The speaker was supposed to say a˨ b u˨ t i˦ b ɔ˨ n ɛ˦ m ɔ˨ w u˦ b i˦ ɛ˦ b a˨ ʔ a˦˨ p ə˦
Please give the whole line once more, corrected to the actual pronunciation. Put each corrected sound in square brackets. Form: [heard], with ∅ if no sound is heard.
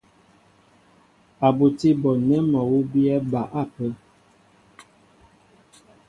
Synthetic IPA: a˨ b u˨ t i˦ b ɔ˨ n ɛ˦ m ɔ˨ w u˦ b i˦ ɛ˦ b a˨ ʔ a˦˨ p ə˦